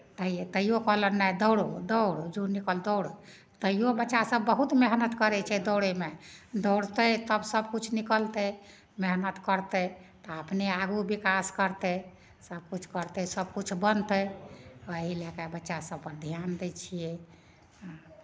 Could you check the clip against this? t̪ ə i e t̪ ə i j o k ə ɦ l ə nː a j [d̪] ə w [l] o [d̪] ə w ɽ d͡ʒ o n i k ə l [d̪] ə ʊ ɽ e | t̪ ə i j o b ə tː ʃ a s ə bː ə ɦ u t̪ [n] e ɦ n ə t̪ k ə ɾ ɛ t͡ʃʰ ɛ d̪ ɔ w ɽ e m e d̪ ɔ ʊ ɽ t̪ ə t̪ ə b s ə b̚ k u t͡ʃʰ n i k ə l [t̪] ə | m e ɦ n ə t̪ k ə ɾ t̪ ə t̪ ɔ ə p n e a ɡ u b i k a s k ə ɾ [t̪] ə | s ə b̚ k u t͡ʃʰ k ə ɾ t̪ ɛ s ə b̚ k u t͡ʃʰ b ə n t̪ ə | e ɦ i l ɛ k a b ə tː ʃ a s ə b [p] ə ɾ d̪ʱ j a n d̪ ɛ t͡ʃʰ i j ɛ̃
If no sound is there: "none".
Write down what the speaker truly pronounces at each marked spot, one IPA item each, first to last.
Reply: d̪, ɽ, d̪, d̪, m, t̪, t̪, p

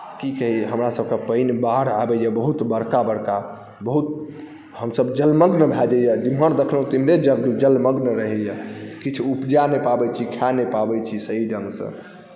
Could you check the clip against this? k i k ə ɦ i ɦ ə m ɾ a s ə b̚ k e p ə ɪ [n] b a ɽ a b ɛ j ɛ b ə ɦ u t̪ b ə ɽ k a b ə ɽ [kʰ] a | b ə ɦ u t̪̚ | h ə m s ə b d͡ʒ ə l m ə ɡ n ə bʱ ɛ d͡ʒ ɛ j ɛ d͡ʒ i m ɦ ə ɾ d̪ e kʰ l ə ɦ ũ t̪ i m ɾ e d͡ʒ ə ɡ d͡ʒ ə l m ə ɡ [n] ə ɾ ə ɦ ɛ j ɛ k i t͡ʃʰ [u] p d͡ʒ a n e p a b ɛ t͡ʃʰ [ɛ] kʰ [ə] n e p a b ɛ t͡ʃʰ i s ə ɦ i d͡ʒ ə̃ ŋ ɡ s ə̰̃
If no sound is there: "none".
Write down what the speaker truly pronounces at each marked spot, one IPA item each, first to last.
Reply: n, k, n, u, i, a

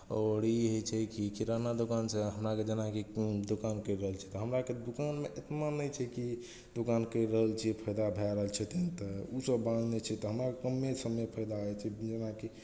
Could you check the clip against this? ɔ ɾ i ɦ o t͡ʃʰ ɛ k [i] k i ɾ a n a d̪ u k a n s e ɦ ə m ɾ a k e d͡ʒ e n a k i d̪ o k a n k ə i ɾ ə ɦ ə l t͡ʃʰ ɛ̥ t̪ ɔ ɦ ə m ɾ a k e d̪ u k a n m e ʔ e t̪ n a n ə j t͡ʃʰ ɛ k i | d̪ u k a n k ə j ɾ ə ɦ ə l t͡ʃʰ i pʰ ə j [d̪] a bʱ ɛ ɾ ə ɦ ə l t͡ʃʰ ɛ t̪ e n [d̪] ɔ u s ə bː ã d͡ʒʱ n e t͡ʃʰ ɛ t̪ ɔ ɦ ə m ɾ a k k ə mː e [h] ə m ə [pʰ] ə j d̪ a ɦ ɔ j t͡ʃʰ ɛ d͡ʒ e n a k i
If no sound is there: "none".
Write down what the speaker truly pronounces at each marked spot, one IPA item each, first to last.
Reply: i, d̪, t̪, s, pʰ

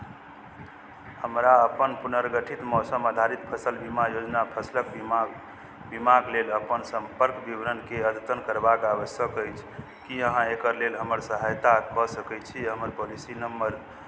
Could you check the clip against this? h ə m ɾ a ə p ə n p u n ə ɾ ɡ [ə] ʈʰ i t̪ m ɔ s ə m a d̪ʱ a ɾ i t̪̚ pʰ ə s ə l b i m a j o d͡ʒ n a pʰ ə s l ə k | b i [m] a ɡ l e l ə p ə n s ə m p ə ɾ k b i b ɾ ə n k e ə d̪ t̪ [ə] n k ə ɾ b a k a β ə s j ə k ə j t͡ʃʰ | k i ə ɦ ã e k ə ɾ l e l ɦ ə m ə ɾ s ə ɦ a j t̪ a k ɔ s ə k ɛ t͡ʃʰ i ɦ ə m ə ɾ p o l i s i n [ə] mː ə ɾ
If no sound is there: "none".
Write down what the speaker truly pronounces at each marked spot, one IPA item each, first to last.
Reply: ə, m, ə, ə

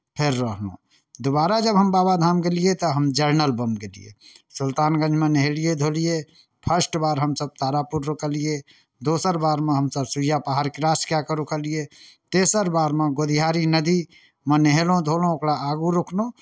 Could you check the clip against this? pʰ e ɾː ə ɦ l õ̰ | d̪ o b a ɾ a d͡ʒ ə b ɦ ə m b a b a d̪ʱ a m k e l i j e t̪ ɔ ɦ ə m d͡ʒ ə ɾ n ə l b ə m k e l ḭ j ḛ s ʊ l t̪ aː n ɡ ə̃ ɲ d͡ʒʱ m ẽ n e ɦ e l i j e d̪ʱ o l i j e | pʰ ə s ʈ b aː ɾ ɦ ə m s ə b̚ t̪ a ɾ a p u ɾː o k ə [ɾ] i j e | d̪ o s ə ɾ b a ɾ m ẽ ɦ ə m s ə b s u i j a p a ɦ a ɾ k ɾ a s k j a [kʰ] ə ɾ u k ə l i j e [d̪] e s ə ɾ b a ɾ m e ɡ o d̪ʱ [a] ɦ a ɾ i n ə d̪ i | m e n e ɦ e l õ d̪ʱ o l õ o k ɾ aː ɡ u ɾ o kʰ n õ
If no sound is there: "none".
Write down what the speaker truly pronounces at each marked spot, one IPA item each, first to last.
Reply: l, k, t̪, i

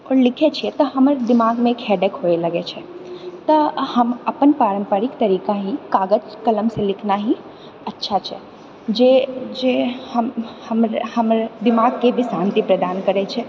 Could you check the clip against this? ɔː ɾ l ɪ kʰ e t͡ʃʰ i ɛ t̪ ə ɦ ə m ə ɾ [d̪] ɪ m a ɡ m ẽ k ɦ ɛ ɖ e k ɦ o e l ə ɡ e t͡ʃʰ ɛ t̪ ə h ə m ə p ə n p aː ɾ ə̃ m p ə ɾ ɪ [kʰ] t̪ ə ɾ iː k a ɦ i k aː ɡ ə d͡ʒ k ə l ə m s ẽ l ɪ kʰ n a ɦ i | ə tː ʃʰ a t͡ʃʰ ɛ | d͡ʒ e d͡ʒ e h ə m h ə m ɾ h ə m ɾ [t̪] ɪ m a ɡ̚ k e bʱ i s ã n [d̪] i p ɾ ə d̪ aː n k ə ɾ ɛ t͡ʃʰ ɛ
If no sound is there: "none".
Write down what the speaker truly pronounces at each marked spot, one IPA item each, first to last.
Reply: d̪, k, d̪, t̪

